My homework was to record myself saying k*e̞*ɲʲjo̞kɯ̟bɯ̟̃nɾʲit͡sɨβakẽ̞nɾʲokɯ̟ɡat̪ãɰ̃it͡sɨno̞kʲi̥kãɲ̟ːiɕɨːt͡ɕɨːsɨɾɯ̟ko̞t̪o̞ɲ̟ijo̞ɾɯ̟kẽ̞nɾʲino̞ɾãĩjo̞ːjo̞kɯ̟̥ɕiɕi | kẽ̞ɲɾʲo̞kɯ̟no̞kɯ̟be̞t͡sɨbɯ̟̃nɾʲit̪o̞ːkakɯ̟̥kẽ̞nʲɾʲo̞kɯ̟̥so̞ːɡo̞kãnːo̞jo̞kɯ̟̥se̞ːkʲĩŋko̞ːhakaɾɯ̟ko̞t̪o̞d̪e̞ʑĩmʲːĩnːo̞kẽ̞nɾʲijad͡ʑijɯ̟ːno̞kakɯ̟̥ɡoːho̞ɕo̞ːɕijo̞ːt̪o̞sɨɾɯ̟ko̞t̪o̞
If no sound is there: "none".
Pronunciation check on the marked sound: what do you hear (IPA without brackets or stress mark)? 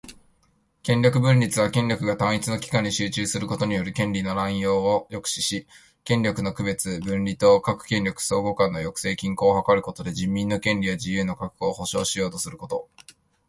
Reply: ẽ̞